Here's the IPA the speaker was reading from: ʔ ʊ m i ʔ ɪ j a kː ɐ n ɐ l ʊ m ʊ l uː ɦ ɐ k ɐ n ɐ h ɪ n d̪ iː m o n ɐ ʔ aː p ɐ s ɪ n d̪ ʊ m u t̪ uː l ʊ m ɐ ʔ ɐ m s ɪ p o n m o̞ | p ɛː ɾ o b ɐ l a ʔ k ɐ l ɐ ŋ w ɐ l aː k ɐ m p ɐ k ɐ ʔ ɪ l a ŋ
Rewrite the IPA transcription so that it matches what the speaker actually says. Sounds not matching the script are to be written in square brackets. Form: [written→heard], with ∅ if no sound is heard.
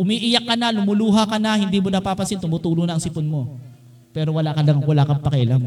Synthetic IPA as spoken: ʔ ʊ m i ʔ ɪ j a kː ɐ n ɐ l ʊ m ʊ l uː ɦ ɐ k ɐ n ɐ h ɪ n d̪ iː m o n ɐ [ʔ→p] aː p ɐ s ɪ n [d̪→t̪] ʊ m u t̪ uː l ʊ [m→n] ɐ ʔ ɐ [m→ŋ] s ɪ p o n m o̞ | p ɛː ɾ o [b→w] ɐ l a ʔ k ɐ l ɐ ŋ w ɐ l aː k ɐ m p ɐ k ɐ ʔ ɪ l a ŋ